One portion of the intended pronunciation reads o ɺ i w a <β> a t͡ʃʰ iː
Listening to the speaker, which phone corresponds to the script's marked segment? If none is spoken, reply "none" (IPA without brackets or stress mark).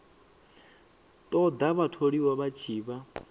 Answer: β